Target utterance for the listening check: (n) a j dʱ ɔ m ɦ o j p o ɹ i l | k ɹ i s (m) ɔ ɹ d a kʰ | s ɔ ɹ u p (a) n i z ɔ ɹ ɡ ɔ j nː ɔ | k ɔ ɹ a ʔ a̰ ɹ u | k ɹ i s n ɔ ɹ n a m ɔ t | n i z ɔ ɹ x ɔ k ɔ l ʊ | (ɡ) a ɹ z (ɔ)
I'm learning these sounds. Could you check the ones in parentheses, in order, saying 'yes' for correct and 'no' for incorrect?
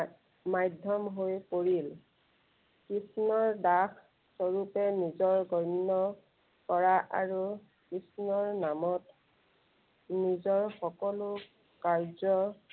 no, no, no, no, yes

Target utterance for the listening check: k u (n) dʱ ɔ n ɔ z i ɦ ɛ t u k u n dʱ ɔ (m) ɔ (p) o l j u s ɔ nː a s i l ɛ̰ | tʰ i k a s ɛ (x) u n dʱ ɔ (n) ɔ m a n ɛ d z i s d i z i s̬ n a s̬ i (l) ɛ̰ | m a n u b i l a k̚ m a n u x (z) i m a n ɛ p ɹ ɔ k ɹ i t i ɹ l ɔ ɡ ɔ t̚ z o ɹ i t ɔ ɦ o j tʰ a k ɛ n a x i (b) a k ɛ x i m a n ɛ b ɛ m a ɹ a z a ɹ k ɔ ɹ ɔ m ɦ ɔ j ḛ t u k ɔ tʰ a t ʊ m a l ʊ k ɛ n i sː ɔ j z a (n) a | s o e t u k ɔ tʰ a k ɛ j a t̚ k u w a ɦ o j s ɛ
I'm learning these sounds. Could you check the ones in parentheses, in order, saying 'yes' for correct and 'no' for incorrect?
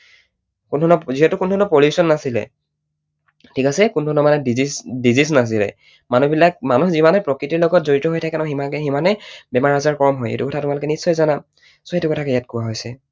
yes, no, yes, no, yes, yes, yes, no, yes

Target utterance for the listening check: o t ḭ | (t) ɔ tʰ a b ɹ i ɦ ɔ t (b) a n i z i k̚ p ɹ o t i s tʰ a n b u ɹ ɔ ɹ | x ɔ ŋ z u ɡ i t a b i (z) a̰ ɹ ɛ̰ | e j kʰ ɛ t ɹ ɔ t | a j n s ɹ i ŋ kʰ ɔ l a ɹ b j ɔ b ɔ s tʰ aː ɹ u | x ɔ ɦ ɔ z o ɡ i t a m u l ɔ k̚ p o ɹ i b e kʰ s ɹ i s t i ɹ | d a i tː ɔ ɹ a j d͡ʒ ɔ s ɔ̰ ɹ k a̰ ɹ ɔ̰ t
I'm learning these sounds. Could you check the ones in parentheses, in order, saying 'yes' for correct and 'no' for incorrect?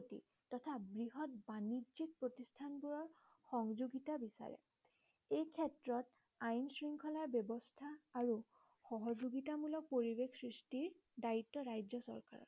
yes, yes, no

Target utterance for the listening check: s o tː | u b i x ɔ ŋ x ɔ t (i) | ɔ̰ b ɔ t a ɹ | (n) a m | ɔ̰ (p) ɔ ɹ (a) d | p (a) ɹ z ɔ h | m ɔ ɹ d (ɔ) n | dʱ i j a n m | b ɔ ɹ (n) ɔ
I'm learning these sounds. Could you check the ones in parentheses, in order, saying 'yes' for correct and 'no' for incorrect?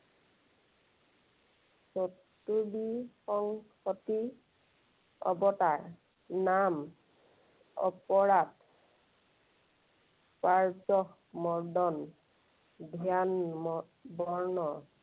yes, yes, yes, yes, yes, yes, yes

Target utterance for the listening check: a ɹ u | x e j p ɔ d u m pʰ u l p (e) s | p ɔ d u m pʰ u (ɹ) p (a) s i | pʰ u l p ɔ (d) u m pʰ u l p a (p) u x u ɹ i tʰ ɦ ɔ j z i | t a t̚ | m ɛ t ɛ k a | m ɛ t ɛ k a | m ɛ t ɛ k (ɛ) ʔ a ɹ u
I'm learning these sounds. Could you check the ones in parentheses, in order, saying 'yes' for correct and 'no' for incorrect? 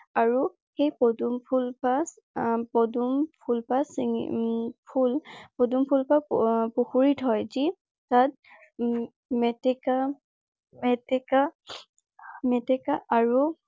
no, no, yes, yes, yes, no

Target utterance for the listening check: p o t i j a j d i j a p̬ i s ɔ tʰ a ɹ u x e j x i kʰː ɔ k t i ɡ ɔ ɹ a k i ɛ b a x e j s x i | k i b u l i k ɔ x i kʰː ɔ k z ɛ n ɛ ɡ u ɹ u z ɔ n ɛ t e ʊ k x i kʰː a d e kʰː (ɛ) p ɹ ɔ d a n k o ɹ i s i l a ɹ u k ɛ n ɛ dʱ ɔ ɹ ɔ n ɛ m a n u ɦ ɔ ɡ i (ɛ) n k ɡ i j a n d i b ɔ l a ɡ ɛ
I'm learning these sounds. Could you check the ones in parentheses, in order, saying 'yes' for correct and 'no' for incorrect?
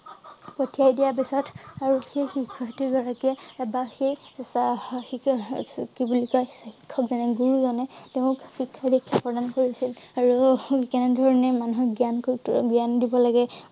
no, no

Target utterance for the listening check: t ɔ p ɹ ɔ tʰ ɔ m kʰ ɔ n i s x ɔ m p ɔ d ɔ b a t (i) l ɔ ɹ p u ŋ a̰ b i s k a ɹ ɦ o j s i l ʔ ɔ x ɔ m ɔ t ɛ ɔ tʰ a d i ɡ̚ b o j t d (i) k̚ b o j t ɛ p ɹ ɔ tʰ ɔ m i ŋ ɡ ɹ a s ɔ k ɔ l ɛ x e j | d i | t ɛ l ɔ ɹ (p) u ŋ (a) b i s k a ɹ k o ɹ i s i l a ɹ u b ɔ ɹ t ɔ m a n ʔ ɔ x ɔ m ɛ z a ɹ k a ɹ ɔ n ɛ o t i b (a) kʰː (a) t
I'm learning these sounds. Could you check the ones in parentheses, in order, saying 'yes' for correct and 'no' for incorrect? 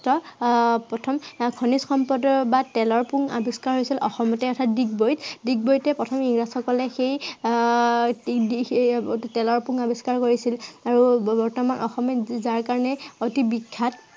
no, yes, yes, yes, no, yes

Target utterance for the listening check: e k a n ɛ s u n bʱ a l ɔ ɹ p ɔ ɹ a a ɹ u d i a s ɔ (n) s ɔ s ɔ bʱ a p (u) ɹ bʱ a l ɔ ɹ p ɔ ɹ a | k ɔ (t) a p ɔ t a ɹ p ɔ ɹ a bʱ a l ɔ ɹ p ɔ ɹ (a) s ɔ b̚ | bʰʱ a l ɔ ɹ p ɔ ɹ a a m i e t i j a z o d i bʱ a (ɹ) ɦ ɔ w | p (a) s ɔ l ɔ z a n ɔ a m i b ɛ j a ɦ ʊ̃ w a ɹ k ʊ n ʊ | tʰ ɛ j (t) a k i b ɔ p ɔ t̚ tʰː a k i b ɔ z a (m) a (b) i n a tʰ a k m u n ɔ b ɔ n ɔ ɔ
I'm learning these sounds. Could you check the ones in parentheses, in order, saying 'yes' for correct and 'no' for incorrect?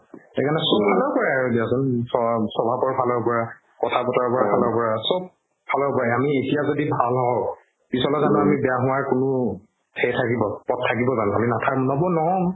yes, no, no, yes, no, no, no, no, no

